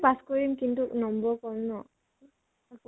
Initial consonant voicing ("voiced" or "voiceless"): voiceless